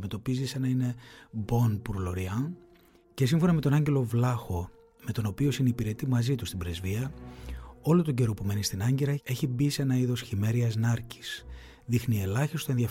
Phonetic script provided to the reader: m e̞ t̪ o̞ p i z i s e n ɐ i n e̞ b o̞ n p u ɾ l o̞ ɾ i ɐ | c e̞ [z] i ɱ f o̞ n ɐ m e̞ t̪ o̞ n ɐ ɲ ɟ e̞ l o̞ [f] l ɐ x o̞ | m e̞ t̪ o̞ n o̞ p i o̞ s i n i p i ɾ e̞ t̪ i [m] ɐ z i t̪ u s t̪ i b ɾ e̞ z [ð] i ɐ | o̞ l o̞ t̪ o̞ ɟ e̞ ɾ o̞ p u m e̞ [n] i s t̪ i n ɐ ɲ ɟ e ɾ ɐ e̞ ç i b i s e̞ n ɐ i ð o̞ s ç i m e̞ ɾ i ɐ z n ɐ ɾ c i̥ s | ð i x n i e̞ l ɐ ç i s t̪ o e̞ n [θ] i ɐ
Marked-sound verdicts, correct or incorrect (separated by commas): incorrect, incorrect, correct, incorrect, correct, incorrect